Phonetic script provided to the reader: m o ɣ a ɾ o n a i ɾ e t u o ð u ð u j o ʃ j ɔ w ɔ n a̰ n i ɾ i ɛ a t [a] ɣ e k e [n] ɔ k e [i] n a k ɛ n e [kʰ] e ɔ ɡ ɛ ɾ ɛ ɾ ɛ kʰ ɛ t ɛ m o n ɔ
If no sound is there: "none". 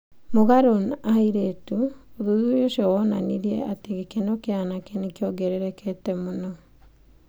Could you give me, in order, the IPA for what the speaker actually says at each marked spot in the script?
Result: e, n, a, k

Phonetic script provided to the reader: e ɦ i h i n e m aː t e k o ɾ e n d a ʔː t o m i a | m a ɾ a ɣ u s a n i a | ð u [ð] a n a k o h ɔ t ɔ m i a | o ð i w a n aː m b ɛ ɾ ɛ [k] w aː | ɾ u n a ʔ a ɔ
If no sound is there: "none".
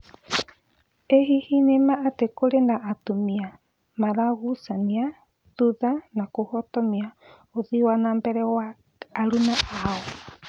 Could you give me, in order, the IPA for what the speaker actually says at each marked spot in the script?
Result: ð, none

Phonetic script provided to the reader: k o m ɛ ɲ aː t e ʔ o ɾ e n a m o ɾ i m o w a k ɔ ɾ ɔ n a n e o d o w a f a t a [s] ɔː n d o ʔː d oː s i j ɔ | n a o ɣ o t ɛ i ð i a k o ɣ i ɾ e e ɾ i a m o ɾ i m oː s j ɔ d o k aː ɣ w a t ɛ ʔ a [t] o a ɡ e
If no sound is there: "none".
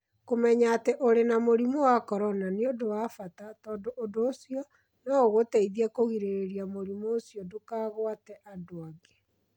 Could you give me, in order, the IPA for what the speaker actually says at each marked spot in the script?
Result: t, d

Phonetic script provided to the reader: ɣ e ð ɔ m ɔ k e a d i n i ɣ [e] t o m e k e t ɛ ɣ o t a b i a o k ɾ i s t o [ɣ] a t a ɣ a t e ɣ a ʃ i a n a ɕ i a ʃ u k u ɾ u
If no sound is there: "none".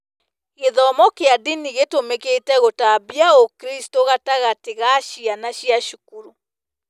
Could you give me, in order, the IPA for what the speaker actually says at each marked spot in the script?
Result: e, ɣ

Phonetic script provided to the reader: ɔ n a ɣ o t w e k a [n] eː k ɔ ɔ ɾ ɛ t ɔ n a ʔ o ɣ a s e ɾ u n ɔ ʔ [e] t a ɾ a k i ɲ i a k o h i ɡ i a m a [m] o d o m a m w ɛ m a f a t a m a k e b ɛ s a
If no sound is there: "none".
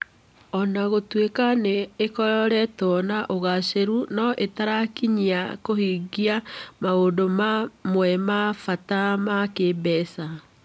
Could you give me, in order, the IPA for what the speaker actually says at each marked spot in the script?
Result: n, e, none

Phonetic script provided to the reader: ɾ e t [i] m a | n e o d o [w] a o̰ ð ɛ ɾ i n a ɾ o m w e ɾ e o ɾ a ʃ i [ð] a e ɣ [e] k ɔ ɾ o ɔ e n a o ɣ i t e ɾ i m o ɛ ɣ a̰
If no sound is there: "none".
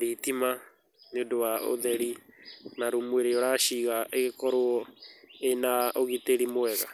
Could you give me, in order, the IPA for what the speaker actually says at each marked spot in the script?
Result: i, w, ɣ, e

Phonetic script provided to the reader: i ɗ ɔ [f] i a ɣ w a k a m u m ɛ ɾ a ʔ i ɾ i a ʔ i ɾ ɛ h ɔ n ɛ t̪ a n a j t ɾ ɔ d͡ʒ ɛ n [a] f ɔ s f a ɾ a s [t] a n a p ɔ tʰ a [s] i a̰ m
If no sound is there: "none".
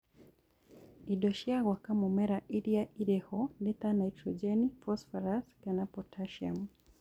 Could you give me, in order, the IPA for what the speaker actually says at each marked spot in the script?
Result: ʃ, i, k, ʃ

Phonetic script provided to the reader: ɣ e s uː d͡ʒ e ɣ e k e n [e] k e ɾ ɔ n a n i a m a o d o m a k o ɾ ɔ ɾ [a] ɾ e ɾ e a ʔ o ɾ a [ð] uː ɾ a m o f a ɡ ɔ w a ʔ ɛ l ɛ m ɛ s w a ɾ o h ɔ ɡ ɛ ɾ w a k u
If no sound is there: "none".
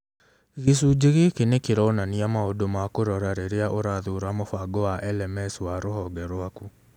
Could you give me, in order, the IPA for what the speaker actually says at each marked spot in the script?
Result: e, a, ð

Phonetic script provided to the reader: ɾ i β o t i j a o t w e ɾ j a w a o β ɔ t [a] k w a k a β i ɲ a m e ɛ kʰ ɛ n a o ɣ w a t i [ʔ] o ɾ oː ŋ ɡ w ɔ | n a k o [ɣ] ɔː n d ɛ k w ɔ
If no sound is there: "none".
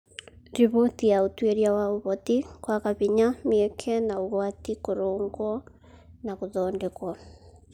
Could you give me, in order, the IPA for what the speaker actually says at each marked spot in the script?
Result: i, k, ð

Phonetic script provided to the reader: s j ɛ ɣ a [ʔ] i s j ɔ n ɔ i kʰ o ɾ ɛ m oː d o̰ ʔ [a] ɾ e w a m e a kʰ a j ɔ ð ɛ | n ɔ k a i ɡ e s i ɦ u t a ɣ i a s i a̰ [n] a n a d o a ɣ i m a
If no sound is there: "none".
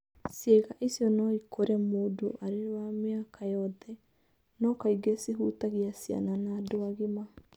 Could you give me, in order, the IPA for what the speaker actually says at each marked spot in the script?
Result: ʔ, a, n

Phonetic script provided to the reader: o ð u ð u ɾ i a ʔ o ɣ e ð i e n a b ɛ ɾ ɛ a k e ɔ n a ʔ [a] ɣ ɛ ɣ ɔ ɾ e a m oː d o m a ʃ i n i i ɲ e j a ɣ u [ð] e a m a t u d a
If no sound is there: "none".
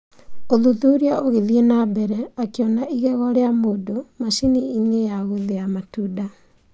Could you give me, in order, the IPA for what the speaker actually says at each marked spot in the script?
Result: i, ð

